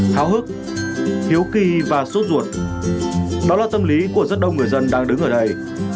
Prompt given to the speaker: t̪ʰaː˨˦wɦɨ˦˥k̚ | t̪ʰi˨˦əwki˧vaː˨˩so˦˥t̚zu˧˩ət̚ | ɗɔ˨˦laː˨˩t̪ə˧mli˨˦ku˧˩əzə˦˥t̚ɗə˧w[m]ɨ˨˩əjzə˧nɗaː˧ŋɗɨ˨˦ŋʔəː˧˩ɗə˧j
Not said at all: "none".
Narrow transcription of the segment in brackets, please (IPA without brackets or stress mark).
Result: ŋ